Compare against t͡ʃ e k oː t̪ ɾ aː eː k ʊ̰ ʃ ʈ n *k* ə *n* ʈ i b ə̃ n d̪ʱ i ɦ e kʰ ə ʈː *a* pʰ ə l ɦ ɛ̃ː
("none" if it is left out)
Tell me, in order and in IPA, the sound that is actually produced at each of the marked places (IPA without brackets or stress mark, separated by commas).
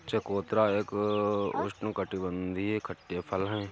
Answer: k, none, e